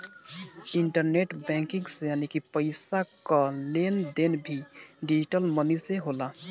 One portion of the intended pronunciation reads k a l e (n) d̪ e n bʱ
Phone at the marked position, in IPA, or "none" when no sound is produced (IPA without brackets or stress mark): n